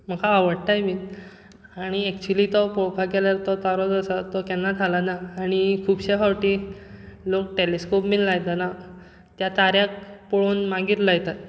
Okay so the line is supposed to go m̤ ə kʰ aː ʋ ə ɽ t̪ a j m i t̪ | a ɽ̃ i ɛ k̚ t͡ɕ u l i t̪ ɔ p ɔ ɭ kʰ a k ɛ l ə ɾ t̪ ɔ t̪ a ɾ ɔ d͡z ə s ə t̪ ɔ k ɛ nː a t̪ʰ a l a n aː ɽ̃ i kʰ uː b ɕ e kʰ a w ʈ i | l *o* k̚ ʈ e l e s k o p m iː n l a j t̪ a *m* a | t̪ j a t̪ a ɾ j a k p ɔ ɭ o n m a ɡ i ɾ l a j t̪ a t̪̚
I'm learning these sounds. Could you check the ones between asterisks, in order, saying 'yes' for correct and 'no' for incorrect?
yes, no

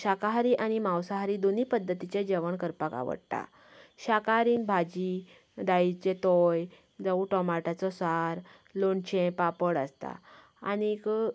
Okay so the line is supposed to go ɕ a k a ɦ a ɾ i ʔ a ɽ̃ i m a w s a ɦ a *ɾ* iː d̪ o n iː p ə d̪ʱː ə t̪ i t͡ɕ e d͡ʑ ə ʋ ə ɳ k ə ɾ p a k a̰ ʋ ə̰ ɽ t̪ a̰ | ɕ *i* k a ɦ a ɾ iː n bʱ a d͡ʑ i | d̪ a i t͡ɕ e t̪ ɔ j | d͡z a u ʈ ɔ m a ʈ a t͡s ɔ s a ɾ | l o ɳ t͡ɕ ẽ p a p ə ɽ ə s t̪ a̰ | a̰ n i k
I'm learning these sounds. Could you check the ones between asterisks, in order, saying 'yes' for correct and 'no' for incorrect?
yes, no

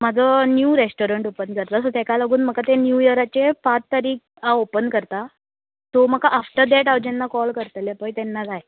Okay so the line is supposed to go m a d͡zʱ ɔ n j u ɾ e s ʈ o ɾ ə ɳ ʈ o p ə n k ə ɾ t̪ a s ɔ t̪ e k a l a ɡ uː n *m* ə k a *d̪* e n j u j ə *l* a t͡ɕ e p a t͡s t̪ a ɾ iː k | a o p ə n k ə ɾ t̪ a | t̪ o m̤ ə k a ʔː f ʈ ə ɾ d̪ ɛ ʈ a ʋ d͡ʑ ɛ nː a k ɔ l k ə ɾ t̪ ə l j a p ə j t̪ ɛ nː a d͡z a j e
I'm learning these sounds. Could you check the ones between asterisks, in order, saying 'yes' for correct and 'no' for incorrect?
yes, no, no

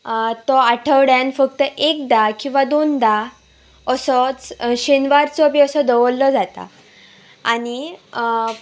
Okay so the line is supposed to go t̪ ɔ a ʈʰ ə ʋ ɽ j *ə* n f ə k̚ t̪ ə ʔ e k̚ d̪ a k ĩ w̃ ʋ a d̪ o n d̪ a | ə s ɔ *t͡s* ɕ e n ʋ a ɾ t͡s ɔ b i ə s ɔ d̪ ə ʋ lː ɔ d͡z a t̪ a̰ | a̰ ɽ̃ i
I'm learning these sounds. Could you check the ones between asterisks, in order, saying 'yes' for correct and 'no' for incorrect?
no, yes

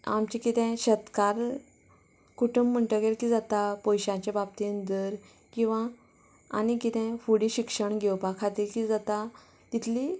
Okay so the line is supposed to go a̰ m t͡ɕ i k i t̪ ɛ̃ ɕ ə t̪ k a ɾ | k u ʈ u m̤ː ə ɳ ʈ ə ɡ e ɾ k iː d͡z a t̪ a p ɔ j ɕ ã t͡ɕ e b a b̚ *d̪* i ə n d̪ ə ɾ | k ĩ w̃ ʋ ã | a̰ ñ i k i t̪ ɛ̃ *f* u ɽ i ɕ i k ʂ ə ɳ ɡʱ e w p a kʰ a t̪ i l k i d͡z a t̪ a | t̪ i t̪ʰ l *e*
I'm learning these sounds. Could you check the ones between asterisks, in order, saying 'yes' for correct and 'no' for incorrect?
no, yes, no

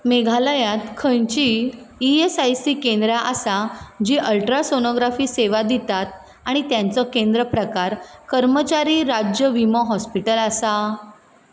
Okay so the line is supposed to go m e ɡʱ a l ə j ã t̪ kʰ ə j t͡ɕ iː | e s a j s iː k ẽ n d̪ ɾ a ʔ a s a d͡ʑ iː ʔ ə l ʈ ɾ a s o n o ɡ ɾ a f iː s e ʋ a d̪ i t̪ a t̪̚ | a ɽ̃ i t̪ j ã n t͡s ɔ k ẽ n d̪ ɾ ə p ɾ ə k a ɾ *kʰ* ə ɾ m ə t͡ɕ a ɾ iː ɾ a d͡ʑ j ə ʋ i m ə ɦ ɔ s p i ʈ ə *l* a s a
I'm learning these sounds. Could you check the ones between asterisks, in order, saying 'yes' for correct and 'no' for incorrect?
no, yes

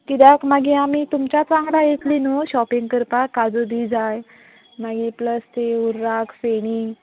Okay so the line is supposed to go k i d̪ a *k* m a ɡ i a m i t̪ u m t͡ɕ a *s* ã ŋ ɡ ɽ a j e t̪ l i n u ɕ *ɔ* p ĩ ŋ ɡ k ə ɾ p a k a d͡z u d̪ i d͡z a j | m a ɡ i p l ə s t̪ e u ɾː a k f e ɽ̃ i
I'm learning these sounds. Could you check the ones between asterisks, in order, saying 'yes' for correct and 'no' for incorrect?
yes, no, yes

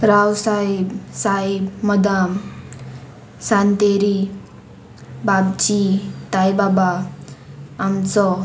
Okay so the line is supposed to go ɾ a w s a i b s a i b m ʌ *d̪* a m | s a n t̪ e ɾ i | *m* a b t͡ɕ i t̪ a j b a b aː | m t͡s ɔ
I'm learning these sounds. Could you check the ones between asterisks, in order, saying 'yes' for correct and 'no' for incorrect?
yes, no

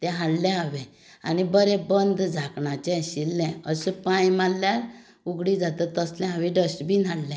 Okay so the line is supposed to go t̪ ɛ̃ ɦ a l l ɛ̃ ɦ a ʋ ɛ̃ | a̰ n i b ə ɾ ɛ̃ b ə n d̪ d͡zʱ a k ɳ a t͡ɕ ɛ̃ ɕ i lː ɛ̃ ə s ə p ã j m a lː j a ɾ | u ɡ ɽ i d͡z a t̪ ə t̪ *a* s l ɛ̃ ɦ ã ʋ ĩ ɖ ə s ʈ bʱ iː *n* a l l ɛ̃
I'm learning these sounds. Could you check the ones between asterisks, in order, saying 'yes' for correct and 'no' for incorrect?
no, yes

